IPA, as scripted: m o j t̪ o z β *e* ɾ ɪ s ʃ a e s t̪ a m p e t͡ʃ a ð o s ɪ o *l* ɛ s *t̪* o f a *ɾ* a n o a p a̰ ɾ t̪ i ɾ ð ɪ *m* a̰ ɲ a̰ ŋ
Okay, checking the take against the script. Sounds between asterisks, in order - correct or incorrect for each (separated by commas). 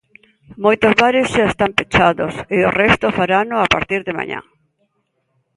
incorrect, incorrect, correct, correct, correct